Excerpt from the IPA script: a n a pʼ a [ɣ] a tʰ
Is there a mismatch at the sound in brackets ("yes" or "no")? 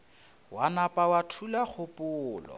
yes